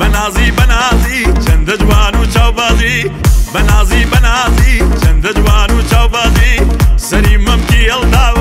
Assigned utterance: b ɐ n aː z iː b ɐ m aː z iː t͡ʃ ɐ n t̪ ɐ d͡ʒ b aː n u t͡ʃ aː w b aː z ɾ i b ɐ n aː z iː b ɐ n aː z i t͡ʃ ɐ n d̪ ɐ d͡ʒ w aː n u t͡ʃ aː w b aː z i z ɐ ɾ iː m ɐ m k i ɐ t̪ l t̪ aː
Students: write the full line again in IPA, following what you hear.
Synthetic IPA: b ɐ n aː z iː b ɐ n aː z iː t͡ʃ ɐ n d̪ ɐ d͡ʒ w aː n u t͡ʃ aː w b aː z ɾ i b ɐ n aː z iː b ɐ n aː z i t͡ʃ ɐ n d̪ ɐ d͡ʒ w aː n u t͡ʃ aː w b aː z i s ɐ ɾ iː m ɐ m k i ɐ l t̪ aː